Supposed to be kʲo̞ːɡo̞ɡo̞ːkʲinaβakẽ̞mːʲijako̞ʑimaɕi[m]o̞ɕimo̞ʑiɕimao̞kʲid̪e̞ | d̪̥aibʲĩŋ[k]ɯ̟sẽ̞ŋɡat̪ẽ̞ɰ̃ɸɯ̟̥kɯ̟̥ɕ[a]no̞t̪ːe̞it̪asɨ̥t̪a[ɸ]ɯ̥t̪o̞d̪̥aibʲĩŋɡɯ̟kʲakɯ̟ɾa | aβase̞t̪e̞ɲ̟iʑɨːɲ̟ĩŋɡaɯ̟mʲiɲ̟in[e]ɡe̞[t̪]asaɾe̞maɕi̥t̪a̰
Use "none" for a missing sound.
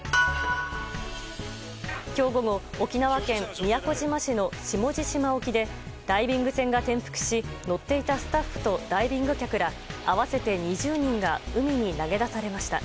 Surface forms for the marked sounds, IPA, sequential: n, ɡ, i, ɸː, a, d̪

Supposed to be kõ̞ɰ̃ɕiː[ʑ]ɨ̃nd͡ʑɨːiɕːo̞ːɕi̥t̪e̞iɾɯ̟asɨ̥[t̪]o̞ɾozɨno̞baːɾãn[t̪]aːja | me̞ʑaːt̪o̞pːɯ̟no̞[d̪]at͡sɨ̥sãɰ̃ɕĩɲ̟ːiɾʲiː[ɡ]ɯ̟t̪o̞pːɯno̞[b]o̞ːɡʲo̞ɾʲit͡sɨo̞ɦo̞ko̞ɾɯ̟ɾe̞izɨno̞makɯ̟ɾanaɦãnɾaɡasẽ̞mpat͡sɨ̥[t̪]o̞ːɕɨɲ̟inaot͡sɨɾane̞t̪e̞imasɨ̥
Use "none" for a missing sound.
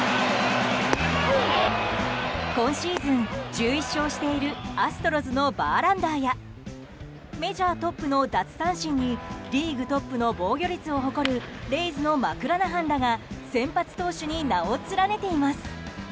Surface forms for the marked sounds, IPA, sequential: z, t̪, d̪, d̪, ɡ, b, t̪

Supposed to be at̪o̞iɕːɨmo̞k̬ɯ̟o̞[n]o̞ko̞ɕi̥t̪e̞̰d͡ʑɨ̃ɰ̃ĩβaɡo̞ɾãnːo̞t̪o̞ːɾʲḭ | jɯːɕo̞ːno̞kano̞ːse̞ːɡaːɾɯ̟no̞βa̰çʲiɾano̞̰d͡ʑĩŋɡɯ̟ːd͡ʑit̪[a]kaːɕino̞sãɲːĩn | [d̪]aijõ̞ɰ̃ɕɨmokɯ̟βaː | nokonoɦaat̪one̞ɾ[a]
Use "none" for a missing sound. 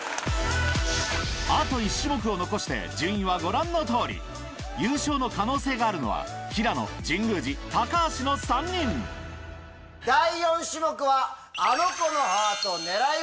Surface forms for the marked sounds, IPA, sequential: n, a, d̪, a

